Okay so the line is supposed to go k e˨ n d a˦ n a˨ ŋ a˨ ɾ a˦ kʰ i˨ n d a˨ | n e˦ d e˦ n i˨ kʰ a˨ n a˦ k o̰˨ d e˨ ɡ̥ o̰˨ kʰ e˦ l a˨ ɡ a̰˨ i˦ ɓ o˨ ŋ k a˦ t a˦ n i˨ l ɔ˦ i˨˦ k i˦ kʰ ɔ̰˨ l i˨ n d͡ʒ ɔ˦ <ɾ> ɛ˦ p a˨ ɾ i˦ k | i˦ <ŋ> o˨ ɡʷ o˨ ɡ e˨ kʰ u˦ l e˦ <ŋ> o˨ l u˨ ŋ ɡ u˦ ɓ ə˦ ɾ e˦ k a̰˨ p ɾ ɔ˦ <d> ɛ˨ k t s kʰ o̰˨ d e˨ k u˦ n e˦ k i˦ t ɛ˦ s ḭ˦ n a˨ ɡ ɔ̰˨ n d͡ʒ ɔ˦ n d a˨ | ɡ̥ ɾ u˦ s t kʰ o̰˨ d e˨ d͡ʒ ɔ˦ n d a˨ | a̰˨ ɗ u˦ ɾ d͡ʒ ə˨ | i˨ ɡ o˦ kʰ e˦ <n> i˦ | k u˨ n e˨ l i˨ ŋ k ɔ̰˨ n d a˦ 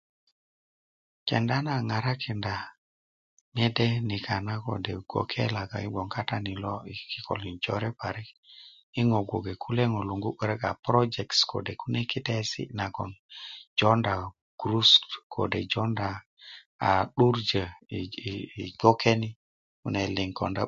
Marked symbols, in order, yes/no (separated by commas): yes, yes, yes, no, yes